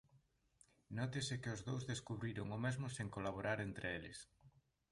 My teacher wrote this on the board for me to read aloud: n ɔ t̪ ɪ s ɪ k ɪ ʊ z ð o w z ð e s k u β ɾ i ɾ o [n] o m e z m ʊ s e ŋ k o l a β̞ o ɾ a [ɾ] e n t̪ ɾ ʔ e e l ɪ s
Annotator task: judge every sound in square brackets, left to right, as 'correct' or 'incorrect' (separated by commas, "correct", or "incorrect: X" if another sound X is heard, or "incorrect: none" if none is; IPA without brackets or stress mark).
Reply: incorrect: ŋ, correct